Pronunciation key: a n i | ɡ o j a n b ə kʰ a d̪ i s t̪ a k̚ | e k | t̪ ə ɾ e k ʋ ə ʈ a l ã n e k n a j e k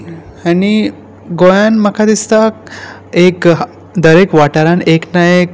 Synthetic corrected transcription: a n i | ɡ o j a n m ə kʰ a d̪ i s t̪ a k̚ | e k | d̪ ə ɾ e k ʋ a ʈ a ɾ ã n e k n a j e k

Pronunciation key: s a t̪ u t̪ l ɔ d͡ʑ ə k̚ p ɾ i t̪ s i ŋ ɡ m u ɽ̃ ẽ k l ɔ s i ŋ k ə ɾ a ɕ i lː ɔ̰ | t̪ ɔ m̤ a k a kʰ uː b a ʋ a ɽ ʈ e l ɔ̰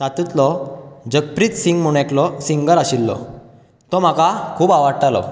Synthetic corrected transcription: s a t̪ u t̪ l ɔ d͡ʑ ə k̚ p ɾ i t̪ s i ŋ ɡ m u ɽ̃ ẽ k l ɔ s i ŋ ɡ ə ɾ a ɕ i lː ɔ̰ | t̪ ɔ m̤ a k a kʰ uː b a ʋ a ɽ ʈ a l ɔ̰

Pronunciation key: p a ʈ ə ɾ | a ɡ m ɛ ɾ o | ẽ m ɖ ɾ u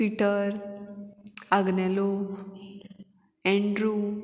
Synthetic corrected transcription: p i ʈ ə ɾ | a ɡ n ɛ l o | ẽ ɳ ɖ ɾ u

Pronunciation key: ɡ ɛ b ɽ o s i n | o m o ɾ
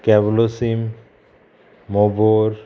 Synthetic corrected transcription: k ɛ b l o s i m | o b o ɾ

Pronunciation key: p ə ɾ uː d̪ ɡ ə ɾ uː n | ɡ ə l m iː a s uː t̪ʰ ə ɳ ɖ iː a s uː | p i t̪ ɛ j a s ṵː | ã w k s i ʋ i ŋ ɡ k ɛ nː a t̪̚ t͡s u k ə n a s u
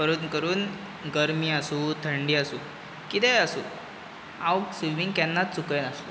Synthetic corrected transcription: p ə ɾ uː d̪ k ə ɾ uː n | ɡ ə ɾ m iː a s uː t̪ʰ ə ɳ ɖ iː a s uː | k i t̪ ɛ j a s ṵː | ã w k s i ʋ i ŋ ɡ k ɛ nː a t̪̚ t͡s u k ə n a s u

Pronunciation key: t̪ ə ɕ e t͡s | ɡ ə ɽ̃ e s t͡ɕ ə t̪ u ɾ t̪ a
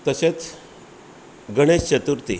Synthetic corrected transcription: t̪ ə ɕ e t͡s | ɡ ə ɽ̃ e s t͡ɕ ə t̪ u ɾ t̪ i

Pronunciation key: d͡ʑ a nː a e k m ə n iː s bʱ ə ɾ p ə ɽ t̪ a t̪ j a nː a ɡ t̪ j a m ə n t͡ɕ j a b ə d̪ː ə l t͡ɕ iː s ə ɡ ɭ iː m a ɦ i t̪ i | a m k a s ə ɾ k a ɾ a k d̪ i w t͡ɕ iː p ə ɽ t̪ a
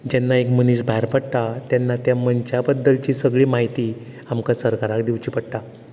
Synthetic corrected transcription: d͡ʑ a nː a e k m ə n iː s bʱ a ɾ p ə ɽ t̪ a t̪ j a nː a t̪ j a m ə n t͡ɕ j a b ə d̪ː ə l t͡ɕ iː s ə ɡ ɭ iː m a ɦ i t̪ i | a m k a s ə ɾ k a ɾ a k d̪ i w t͡ɕ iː p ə ɽ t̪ a

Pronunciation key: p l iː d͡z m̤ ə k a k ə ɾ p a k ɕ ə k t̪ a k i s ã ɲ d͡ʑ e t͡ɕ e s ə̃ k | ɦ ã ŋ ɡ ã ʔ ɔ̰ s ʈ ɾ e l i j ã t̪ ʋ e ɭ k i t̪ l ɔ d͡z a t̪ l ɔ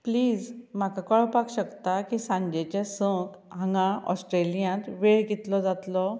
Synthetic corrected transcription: p l iː d͡z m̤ a k a k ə ɭ p a k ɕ ə k t̪ a k i s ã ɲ d͡ʑ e t͡ɕ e s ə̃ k | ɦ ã ŋ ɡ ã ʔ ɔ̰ s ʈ ɾ e l i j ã t̪ ʋ e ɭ ɡ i t̪ l ɔ d͡z a t̪ l ɔ

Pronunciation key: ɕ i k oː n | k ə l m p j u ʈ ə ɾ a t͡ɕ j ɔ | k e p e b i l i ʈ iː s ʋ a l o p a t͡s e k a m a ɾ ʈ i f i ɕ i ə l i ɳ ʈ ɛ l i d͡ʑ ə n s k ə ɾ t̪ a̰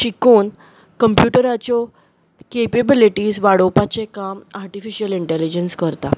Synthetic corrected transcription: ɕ i k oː n | k ə m p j u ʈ ə ɾ a t͡ɕ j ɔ | k e p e b i l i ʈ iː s ʋ a ɽ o p a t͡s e k a m a ɾ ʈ i f i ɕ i ə l i ɳ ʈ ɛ l i d͡ʑ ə n s k ə ɾ t̪ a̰

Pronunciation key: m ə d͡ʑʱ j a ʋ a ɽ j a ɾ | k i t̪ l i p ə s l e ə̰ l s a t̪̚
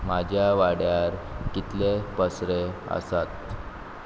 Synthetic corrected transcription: m a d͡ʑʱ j a ʋ a ɽ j a ɾ | k i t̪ l e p ə s ɾ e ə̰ s a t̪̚

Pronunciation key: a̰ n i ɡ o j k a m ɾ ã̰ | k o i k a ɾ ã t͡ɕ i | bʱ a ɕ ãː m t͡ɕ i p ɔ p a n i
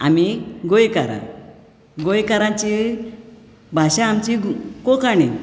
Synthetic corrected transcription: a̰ m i ɡ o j k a ɾ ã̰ | ɡ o j k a ɾ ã t͡ɕ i | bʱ a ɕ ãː m t͡ɕ i k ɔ k a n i

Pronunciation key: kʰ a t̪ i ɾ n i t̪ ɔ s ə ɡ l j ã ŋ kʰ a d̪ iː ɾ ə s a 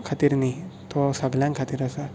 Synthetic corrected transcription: kʰ a t̪ i ɾ n i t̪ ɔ s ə ɡ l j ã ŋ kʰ a t̪ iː ɾ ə s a

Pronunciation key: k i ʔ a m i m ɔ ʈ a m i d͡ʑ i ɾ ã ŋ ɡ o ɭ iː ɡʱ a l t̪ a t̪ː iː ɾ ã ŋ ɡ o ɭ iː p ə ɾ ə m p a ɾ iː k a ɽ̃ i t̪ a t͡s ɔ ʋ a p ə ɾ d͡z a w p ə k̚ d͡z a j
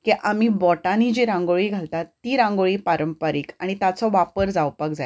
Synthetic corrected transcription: k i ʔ a m i b ɔ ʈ a n i d͡ʑ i ɾ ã ŋ ɡ o ɭ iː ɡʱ a l t̪ a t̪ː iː ɾ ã ŋ ɡ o ɭ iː p a ɾ ə m p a ɾ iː k a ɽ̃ i t̪ a t͡s ɔ ʋ a p ə ɾ d͡z a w p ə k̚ d͡z a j

